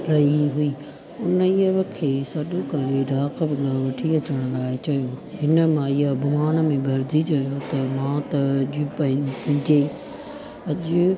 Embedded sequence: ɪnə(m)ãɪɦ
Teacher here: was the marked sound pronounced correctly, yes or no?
yes